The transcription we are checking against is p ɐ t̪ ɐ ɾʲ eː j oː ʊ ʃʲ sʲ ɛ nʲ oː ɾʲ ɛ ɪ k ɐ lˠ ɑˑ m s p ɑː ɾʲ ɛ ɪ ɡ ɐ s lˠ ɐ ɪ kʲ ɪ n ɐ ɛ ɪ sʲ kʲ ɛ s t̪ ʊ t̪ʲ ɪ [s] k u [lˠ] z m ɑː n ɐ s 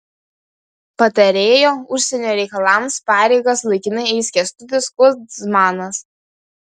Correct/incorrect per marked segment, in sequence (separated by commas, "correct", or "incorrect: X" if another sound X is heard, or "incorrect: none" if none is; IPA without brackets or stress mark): correct, incorrect: none